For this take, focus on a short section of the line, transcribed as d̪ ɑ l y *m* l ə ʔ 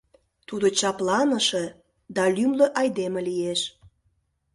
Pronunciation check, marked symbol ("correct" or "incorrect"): correct